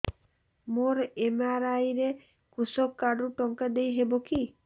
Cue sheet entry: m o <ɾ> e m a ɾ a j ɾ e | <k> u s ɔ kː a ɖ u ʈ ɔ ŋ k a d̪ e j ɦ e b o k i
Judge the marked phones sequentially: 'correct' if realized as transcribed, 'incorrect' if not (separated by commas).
correct, correct